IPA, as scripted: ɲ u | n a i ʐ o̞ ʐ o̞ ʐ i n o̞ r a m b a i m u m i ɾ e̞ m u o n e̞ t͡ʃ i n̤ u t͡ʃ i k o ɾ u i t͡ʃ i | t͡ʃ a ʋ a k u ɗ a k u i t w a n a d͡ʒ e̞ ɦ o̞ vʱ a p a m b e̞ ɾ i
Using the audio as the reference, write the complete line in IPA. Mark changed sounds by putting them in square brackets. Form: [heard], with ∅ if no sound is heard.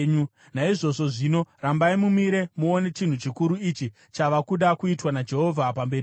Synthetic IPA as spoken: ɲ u | n a i ʐ o̞ ʐ o̞ ʐ i n o̞ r a m b a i m u m i ɾ e̞ m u o n e̞ t͡ʃ i n̤ u t͡ʃ i k [u] ɾ u i t͡ʃ i | t͡ʃ a ʋ a k u ɗ a k u i t w a n a d͡ʒ e̞ ɦ o̞ vʱ a p a m b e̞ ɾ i